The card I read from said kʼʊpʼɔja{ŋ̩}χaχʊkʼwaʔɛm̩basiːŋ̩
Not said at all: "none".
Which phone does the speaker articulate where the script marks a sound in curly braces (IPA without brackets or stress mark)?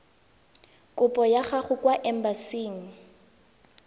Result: none